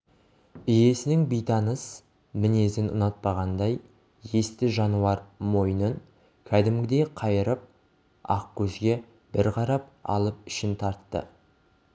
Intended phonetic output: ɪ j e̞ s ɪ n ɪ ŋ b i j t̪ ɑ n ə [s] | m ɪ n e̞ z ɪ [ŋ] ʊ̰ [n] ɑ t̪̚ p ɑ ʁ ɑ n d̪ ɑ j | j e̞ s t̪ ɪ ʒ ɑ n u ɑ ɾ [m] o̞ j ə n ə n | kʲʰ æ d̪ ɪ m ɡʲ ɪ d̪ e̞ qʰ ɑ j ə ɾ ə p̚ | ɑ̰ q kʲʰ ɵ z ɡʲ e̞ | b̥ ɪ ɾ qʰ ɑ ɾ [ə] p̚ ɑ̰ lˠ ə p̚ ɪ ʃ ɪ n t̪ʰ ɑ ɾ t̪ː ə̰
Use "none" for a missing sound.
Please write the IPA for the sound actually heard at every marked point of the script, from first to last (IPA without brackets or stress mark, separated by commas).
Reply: s, n, n, m, ɑ